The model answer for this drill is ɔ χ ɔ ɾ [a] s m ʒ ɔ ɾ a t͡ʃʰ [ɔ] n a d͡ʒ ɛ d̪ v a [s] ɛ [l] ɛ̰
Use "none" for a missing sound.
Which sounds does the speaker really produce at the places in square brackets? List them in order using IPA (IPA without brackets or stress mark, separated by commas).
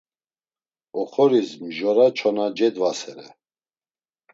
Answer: i, ɔ, s, ɾ